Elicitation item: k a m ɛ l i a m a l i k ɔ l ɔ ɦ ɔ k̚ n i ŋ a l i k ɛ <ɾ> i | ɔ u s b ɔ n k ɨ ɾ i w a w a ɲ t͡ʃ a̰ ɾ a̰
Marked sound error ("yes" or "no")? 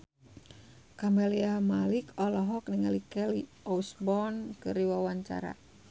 yes